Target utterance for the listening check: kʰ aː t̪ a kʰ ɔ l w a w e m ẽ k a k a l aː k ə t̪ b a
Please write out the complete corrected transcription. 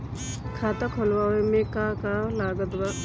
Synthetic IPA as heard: kʰ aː t̪ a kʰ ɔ l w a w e m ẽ k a k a l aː ɡ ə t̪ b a